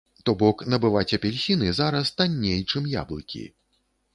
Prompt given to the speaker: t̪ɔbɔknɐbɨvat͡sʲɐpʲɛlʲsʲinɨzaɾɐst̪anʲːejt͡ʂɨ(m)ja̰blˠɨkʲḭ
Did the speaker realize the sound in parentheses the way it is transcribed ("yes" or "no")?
yes